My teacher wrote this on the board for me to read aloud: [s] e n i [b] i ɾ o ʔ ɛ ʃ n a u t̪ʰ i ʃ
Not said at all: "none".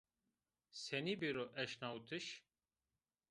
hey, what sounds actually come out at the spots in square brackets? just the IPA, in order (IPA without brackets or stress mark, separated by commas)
s, b